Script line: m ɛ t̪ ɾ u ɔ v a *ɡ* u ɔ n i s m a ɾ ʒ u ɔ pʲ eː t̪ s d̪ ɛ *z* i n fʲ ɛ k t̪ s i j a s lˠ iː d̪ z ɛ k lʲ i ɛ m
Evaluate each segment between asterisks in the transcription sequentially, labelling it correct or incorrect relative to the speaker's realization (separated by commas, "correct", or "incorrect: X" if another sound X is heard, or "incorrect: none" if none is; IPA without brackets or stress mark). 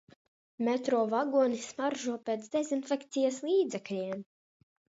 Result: correct, correct